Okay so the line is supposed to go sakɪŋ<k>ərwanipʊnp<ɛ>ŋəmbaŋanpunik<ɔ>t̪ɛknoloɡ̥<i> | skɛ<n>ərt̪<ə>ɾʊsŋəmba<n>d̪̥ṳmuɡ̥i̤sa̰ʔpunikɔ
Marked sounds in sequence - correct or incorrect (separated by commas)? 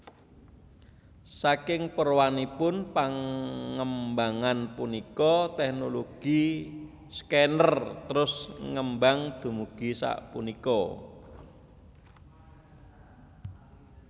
incorrect, incorrect, correct, correct, correct, correct, incorrect